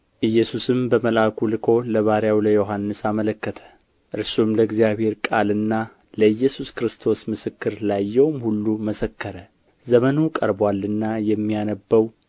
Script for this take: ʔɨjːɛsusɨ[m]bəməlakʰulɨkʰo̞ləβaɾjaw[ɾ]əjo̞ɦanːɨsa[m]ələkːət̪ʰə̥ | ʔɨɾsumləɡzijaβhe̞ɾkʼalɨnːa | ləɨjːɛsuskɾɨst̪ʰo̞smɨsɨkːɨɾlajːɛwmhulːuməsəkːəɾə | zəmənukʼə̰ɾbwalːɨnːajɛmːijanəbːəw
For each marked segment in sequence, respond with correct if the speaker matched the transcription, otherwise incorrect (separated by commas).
correct, incorrect, correct